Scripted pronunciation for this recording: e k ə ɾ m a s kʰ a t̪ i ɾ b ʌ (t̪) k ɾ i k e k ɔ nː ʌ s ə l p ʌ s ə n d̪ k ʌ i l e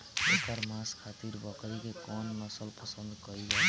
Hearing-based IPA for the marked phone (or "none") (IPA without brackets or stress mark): none